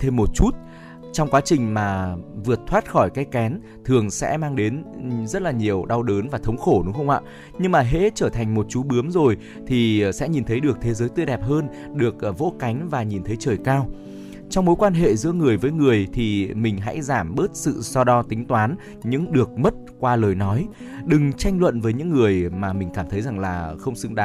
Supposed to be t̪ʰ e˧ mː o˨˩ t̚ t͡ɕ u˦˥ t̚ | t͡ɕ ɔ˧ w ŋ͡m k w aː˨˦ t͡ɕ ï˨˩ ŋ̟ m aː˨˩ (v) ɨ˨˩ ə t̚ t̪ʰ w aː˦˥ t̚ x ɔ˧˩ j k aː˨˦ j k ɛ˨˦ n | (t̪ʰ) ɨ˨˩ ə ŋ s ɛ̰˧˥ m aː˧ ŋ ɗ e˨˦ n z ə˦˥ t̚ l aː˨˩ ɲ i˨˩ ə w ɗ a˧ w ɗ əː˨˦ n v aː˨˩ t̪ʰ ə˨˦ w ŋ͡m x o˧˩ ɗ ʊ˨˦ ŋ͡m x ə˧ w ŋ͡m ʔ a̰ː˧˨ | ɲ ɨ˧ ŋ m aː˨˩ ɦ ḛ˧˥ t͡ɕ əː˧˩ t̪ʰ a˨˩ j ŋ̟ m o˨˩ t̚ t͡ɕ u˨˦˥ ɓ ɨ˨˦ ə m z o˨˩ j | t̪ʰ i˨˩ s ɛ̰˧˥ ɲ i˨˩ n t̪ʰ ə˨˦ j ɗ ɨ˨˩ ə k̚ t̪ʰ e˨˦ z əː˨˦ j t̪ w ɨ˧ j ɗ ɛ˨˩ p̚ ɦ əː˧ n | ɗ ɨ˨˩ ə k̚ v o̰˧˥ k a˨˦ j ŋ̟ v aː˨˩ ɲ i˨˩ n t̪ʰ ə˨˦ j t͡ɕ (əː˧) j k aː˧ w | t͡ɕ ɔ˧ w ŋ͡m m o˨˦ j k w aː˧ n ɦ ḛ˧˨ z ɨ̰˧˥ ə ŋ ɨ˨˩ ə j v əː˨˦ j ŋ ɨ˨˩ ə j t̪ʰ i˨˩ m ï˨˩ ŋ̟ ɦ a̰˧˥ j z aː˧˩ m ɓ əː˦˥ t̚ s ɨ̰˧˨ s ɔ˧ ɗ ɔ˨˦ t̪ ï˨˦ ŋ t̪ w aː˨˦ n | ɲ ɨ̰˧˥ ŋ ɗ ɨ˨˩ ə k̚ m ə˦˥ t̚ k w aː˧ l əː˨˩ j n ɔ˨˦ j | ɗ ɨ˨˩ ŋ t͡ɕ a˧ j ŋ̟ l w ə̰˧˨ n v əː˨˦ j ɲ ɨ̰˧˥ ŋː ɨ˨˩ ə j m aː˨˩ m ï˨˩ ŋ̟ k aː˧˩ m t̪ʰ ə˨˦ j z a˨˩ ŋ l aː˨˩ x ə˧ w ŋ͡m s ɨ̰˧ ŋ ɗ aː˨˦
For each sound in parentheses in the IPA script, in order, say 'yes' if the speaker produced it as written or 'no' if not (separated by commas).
yes, yes, no